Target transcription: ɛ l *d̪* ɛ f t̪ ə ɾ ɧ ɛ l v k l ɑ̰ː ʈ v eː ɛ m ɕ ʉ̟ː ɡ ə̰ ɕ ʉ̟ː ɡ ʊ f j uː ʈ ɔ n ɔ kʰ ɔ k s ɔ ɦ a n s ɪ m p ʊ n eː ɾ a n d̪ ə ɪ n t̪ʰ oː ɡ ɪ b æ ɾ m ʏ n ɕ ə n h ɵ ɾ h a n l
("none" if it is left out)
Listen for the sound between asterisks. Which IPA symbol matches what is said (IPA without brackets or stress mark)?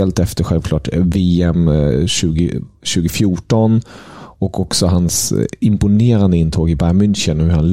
t̪